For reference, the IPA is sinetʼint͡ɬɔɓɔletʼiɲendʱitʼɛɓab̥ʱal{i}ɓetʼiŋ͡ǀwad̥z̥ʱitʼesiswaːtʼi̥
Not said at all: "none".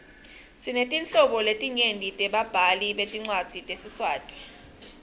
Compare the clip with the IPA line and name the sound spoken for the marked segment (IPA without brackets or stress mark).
i